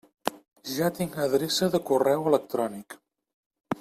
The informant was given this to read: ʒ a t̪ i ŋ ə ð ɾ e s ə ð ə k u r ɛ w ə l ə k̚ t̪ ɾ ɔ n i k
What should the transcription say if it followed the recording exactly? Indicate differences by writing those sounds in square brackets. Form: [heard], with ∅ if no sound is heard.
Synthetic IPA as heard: ʒ a t̪ i ŋ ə ð ɾ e s ə ð ə k u r ɛ w ə l ə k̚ t̪ ɾ ɔ n i k